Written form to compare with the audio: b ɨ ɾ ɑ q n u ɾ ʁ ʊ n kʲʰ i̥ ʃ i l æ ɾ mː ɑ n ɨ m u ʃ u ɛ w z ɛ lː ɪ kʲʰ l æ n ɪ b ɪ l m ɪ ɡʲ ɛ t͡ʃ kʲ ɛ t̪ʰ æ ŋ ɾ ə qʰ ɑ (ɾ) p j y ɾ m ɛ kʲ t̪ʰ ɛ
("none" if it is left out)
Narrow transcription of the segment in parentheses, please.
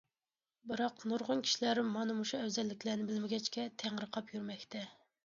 none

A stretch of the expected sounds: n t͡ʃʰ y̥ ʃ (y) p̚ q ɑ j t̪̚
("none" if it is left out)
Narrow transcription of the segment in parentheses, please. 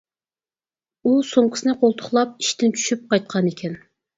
y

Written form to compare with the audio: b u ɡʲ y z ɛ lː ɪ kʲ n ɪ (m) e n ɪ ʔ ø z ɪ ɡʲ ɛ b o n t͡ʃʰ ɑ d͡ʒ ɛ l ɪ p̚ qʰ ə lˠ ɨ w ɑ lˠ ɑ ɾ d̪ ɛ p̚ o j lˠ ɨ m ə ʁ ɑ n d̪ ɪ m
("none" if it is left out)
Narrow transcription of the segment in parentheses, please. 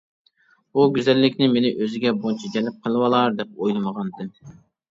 m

